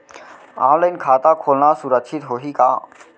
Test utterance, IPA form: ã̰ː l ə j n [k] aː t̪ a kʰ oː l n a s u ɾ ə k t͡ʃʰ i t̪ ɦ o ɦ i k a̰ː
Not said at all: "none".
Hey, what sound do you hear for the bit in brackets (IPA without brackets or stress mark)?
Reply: kʰ